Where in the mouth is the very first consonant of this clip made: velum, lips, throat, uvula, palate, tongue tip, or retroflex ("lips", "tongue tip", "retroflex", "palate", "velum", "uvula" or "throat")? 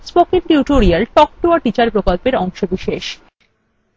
tongue tip